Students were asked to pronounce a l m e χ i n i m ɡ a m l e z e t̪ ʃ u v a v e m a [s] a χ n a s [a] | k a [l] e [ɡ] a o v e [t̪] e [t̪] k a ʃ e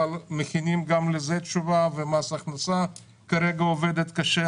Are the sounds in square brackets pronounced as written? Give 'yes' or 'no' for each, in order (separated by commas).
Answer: yes, yes, no, yes, no, yes